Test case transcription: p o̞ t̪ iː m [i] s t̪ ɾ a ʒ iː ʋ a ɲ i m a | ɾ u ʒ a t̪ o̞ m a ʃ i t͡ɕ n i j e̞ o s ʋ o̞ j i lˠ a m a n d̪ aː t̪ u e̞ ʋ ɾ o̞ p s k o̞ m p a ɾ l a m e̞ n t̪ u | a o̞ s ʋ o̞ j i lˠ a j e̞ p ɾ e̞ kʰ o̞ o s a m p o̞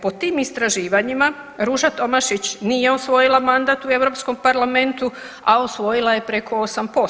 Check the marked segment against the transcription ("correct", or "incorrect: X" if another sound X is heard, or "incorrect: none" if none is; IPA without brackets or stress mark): correct